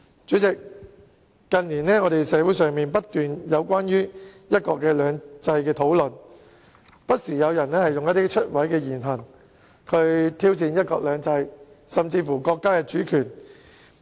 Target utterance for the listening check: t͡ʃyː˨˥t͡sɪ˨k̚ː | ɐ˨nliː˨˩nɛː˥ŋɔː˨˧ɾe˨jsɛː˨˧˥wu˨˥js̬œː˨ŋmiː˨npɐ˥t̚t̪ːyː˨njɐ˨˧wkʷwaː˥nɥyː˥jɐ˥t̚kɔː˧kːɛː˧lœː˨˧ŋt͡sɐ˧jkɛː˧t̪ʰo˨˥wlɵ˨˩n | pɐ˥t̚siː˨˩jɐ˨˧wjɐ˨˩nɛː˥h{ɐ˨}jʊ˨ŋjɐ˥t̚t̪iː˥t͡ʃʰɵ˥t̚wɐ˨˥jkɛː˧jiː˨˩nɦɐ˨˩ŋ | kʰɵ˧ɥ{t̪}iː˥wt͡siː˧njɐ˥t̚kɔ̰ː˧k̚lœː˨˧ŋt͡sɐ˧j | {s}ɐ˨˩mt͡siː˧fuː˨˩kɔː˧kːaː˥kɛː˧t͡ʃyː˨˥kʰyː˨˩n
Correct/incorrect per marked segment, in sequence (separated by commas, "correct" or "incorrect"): correct, incorrect, correct